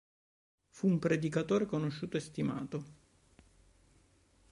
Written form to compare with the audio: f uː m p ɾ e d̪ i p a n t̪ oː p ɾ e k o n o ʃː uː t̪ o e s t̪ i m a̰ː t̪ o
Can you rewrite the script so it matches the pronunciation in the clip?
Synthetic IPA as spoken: f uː m p ɾ e d̪ i k a t̪ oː ɾ e k o n o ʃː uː t̪ o e s t̪ i m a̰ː t̪ o